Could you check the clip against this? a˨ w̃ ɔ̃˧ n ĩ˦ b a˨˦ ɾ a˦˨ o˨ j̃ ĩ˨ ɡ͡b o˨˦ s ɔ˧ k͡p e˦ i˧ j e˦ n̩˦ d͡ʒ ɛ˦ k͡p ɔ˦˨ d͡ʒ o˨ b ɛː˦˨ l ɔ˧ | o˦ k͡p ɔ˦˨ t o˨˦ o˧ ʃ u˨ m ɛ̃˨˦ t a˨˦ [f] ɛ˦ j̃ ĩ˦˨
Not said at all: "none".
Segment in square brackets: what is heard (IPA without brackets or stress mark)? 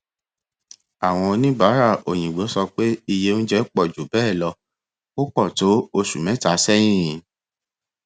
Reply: s